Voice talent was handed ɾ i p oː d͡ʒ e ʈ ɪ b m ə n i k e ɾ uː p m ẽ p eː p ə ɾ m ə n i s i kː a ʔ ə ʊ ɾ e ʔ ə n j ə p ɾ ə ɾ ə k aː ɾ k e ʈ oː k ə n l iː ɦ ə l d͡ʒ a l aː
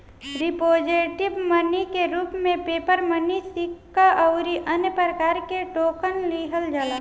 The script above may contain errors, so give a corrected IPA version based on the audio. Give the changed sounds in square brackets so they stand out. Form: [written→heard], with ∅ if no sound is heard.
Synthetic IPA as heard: ɾ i p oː d͡ʒ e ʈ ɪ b m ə n i k e ɾ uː p m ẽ p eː p ə ɾ m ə n i s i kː a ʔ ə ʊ ɾ [e→i] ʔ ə n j ə p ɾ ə ɾ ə k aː ɾ k e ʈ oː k ə n l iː ɦ ə l d͡ʒ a l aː